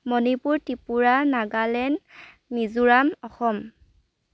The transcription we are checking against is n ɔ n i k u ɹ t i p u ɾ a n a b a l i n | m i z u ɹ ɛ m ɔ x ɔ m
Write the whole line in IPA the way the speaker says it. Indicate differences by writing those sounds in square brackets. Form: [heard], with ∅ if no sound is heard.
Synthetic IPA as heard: [m] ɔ n i [p] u ɹ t i p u [ɹ] a n a [ɡ] a l [ɛ] n | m i z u ɹ [a] m ɔ x ɔ m